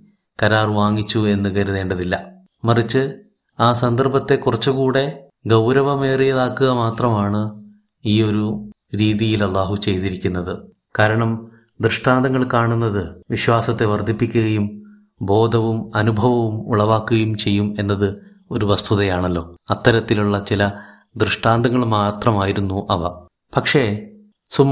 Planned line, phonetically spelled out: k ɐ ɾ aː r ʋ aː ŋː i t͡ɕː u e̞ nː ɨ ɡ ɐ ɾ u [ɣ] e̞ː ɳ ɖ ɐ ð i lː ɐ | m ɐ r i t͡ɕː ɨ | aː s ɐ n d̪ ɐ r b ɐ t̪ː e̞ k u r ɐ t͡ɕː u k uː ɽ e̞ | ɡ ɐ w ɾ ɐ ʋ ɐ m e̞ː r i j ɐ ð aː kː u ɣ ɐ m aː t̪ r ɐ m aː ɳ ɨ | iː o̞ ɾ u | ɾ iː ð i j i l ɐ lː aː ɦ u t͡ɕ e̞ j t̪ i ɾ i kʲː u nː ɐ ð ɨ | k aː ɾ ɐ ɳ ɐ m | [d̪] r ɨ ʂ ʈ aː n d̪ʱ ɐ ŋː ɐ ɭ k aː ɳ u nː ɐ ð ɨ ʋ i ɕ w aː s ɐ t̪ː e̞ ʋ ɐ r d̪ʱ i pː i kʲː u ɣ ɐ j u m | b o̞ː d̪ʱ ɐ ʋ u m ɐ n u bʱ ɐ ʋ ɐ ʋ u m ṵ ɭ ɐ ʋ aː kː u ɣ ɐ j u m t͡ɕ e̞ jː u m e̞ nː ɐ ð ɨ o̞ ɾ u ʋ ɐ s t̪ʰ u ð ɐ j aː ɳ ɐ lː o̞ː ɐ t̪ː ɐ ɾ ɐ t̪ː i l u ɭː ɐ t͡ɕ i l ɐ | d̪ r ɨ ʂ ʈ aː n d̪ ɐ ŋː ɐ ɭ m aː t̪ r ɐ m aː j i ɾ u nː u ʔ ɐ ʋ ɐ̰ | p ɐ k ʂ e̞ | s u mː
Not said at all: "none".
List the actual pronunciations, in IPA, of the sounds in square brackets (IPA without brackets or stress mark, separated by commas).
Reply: ð, d̪